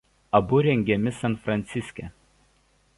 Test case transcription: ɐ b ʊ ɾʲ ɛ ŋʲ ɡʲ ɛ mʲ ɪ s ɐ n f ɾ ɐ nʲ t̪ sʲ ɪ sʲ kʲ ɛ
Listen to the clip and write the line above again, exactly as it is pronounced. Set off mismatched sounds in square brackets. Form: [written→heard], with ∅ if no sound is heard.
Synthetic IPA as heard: ɐ b ʊ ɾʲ ɛ ŋʲ ɡʲ ɛ mʲ ɪ s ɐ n f ɾ ɐ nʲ t̪ sʲ ɪ sʲ kʲ ɛ